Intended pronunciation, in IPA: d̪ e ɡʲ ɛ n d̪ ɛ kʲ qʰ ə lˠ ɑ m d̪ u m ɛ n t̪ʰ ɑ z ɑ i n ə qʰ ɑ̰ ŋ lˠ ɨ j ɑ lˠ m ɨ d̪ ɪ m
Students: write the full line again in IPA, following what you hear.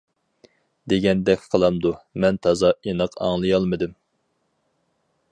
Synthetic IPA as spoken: d̪ e ɡʲ ɛ n d̪ ɛ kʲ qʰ ə lˠ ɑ m d̪ u m ɛ n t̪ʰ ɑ z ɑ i n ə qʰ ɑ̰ ŋ lˠ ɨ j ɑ lˠ m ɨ d̪ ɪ m